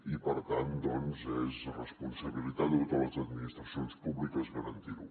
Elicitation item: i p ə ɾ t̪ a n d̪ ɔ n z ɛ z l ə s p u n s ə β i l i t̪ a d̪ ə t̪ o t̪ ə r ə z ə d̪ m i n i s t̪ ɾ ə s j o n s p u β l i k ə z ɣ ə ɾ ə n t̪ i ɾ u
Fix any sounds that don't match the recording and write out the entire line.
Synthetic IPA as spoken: i p ə ɾ t̪ a n d̪ ɔ n z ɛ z r ə s p u n s ə β i l i t̪ a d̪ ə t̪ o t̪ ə l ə z ə d̪ m i n i s t̪ ɾ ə s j o n s p u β l i k ə z ɣ ə ɾ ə n t̪ i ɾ u